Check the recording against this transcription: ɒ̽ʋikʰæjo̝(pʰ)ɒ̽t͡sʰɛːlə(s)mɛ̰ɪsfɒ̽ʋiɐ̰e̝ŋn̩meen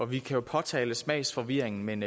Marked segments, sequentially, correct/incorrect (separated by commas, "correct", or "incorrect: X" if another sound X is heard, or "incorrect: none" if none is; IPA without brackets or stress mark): correct, correct